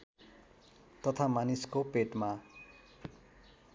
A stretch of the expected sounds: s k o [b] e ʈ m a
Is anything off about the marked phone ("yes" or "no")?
yes